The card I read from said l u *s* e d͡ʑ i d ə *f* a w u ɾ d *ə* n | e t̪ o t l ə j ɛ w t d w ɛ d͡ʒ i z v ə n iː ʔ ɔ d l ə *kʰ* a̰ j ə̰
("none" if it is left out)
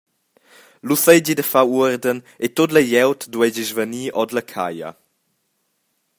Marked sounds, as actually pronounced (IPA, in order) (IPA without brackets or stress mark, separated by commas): s, f, ə, kʰ